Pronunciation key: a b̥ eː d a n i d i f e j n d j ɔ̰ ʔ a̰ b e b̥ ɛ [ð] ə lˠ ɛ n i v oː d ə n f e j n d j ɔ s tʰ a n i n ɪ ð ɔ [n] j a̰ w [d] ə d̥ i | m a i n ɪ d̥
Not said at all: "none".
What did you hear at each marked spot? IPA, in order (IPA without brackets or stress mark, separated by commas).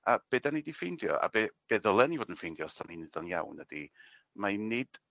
ð, n, n